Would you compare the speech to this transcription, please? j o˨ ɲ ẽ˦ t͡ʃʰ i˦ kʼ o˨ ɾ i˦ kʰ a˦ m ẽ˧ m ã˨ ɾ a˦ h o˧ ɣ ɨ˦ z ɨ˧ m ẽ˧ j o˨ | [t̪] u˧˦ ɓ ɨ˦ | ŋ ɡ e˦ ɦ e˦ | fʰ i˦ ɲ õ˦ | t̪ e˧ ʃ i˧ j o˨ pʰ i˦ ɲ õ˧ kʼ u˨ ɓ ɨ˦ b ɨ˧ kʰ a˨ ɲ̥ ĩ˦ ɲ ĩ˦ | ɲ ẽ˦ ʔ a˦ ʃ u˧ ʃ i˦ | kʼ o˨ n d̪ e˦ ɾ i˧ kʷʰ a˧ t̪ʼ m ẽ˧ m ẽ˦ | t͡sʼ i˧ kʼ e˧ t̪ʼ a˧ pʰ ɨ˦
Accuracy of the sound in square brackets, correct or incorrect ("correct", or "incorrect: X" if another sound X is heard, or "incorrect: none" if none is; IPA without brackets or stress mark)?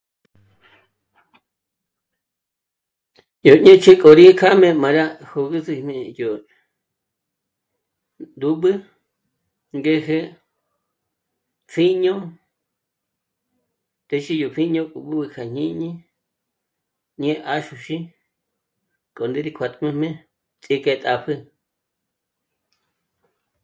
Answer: incorrect: d̪